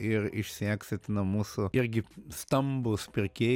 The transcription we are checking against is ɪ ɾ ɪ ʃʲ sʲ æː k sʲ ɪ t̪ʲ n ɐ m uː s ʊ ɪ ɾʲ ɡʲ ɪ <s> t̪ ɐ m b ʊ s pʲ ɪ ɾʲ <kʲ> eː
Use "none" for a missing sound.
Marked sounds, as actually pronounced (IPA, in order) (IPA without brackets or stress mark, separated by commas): s, kʲ